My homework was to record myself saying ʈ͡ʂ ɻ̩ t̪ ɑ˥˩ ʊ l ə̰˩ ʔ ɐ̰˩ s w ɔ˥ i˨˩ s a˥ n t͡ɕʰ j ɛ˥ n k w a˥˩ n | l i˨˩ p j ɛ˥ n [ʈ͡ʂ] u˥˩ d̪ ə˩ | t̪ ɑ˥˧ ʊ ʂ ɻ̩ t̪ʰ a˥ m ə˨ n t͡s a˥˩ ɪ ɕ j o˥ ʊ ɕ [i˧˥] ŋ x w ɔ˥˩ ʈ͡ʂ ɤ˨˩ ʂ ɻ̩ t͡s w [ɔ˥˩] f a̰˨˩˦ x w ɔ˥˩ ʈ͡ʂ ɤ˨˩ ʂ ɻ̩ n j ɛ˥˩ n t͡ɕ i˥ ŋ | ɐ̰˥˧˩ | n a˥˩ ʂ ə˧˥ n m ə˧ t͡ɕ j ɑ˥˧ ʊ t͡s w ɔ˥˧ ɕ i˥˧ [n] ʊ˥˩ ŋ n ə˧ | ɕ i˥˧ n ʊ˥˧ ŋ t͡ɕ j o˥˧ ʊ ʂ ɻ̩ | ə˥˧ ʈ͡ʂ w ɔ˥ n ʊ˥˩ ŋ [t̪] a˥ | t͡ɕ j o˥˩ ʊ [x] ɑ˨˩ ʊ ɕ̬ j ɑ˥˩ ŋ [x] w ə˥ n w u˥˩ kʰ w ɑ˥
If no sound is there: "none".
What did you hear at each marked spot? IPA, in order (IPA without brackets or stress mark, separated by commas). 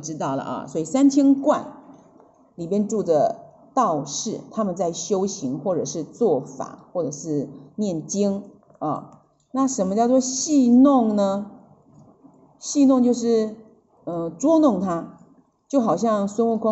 ʈ͡ʂ, i˧˥, ɔ˥˩, n, t̪ʰ, x, s